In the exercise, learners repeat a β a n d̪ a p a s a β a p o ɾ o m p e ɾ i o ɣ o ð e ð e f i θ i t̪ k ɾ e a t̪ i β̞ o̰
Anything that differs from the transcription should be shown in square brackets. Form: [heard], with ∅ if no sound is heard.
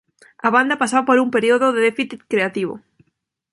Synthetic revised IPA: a β a n d̪ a p a s a β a p o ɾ [u] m p e ɾ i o [ð] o ð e ð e f i θ i t̪ k ɾ e a t̪ i β̞ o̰